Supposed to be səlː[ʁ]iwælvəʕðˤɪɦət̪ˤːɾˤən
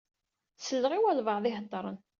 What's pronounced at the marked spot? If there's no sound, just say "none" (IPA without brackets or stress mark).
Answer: ʁ